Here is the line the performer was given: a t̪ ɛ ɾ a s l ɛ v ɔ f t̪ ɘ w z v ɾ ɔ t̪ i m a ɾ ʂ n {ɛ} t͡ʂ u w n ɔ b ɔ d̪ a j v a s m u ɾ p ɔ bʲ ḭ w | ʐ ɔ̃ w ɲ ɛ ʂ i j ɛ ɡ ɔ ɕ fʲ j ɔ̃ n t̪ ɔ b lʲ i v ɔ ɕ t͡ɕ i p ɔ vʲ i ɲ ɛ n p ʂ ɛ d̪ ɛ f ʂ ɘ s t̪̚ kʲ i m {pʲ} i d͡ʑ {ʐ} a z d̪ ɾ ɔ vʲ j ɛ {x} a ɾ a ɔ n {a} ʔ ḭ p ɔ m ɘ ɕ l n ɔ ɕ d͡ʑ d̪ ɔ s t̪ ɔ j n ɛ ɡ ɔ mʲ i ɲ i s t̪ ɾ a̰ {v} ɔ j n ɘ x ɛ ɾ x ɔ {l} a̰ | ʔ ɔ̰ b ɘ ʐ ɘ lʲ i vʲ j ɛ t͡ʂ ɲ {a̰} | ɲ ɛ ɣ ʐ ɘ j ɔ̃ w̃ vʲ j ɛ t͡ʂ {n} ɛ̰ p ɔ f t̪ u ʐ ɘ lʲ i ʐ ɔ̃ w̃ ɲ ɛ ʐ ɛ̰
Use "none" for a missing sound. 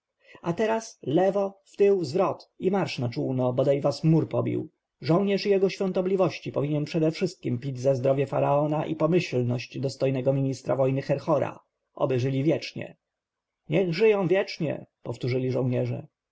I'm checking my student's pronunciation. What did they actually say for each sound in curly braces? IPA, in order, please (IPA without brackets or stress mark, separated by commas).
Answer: a, pʲ, z, f, a, v, ɾ, ɛ̰, ɲ